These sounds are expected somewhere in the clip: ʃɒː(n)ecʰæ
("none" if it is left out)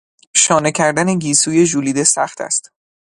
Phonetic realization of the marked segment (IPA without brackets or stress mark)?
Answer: n